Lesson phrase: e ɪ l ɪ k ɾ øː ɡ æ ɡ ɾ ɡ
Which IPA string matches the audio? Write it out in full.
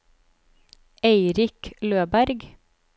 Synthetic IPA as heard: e ɪ ɾ ɪ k l øː b æ ɾ ɡ